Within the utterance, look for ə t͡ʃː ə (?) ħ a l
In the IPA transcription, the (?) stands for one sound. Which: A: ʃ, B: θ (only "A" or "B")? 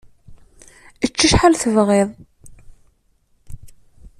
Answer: A